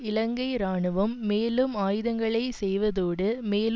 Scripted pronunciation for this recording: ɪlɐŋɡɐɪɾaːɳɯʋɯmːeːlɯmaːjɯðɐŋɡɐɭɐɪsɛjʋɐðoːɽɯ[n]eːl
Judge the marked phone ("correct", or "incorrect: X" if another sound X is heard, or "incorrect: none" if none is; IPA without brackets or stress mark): incorrect: m